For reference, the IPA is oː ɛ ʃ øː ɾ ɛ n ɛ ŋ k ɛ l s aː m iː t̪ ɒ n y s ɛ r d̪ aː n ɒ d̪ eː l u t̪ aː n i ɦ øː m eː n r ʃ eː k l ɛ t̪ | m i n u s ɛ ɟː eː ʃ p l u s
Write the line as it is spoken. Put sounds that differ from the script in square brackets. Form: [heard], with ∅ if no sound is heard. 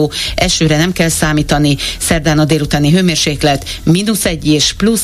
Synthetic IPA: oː ɛ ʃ øː ɾ ɛ n ɛ [m] k ɛ l s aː m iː t̪ ɒ n [i] s ɛ r d̪ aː n ɒ d̪ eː l u t̪ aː n i ɦ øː m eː [∅] r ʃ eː k l ɛ t̪ | m i n u s ɛ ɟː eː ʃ p l u s